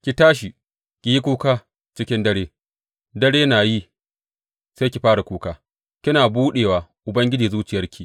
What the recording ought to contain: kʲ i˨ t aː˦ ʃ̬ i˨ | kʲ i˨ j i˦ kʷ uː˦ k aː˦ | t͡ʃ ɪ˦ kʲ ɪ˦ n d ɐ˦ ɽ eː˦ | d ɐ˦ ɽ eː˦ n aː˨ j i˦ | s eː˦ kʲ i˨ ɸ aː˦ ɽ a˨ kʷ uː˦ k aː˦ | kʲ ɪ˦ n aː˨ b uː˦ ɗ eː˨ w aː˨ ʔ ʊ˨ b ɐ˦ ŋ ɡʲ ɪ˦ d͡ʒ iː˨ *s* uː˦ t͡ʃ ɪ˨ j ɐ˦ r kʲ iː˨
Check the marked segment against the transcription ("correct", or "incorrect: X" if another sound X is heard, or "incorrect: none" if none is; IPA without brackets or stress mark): incorrect: z